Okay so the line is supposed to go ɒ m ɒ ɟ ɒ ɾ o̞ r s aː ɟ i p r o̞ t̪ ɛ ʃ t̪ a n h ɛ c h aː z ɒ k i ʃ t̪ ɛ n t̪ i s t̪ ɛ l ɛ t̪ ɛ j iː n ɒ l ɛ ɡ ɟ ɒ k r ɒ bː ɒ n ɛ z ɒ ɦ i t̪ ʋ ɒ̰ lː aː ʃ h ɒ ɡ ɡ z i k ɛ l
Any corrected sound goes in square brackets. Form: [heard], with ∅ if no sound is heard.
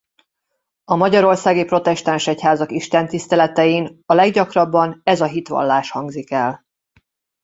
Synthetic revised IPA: ɒ m ɒ ɟ ɒ ɾ o̞ r s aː [ɡ] i p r o̞ t̪ ɛ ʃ t̪ a n [ʃ] ɛ c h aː z ɒ k i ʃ t̪ ɛ n t̪ i s t̪ ɛ l ɛ t̪ ɛ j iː n ɒ l ɛ ɡ ɟ ɒ k r ɒ bː ɒ n ɛ z ɒ ɦ i t̪ ʋ ɒ̰ lː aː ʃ h ɒ [ŋ] ɡ z i k ɛ l

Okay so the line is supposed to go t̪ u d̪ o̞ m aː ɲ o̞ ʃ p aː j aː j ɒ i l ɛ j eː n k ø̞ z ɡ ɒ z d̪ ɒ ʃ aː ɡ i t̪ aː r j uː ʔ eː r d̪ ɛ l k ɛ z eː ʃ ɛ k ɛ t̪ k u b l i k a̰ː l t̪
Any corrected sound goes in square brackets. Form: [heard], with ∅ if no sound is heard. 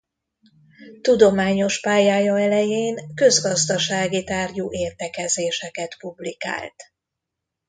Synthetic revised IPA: t̪ u d̪ o̞ m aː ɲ o̞ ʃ p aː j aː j ɒ [ɛ] l ɛ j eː n k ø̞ z ɡ ɒ z d̪ ɒ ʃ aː ɡ i t̪ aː r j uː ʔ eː r [t̪] ɛ [∅] k ɛ z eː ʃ ɛ k ɛ t̪ [p] u b l i k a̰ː l t̪

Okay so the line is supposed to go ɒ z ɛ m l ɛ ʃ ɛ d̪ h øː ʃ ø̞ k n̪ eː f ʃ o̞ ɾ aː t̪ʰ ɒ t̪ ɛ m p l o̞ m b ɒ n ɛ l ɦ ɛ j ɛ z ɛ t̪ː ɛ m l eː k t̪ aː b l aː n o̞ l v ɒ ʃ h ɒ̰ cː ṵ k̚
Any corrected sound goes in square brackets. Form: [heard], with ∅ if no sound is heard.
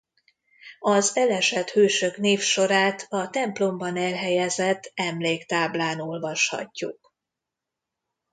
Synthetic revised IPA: ɒ z ɛ [∅] l ɛ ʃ ɛ [t̪] h øː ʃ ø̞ k n̪ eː f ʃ o̞ ɾ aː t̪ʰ ɒ t̪ ɛ m p l o̞ m b ɒ n ɛ l ɦ ɛ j ɛ z ɛ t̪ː ɛ m l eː k t̪ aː b l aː n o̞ l v ɒ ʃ h ɒ̰ cː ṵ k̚

